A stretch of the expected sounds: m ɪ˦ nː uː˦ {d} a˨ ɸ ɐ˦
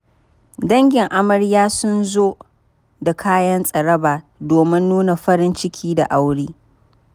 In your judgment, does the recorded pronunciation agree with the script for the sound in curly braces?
no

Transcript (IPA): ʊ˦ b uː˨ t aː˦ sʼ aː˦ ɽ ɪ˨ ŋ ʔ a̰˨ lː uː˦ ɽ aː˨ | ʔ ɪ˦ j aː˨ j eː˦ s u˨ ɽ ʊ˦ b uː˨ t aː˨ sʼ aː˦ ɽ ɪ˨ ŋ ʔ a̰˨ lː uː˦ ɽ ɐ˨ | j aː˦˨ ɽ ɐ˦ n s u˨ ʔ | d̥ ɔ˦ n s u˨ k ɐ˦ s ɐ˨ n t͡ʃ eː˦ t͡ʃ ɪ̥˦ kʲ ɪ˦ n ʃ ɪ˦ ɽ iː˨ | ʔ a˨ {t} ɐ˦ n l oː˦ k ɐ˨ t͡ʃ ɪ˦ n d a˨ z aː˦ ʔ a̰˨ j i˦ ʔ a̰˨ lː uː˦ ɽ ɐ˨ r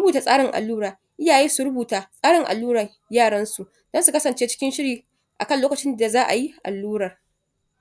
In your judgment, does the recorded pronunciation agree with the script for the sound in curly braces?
no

